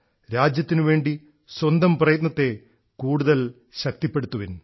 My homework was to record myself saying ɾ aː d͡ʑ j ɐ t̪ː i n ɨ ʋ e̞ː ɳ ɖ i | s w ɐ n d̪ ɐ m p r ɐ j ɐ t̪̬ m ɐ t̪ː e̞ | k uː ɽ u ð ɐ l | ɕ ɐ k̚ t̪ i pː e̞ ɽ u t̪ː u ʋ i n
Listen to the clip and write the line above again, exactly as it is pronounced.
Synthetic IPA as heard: ɾ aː d͡ʑ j ɐ t̪ː i n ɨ ʋ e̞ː ɳ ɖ i | s w ɐ n d̪ ɐ m p r ɐ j ɐ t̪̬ n ɐ t̪ː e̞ | k uː ɽ u ð ɐ l | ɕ ɐ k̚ t̪ i pː e̞ ɽ u t̪ː u ʋ i n

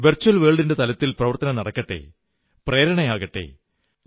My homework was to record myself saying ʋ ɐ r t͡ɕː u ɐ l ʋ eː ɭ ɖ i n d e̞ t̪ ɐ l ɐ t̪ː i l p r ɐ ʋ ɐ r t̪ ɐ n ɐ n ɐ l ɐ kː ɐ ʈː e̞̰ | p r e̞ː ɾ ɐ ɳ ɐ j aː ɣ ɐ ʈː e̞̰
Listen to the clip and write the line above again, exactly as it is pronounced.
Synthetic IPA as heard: ʋ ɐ r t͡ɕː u ɐ l ʋ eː ɭ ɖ i n d e̞ t̪ ɐ l ɐ t̪ː i l p r ɐ ʋ ɐ r t̪ ɐ n ɐ n ɐ ɽ ɐ kː ɐ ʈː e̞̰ | p r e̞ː ɾ ɐ ɳ ɐ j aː ɣ ɐ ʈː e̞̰

